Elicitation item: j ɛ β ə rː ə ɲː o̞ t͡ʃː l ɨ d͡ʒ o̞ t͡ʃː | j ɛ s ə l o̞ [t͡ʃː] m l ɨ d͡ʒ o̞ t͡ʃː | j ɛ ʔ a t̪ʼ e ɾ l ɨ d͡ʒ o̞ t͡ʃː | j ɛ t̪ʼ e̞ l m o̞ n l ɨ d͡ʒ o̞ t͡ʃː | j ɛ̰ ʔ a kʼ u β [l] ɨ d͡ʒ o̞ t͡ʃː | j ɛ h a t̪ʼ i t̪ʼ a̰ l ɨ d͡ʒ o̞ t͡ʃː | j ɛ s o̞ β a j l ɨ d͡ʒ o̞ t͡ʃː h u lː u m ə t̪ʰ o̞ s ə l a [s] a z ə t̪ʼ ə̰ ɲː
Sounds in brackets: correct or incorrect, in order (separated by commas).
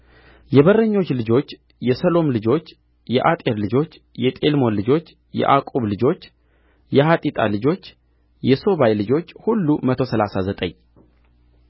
incorrect, correct, correct